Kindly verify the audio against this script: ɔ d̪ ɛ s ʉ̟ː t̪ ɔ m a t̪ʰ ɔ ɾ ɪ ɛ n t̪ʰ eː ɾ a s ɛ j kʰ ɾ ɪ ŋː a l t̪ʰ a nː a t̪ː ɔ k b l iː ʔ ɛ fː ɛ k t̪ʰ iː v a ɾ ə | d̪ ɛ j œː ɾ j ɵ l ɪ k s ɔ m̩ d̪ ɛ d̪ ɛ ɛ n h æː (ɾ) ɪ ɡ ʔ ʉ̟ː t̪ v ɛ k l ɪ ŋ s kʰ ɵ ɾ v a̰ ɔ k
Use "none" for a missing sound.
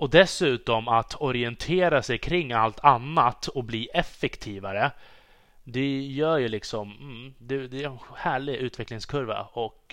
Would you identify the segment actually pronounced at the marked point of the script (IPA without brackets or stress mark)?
ɭ